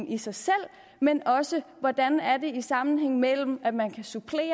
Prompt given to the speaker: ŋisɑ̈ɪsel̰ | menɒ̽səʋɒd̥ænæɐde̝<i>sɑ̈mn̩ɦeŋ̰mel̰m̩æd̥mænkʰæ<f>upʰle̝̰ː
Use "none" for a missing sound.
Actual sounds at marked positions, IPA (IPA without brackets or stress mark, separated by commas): i, s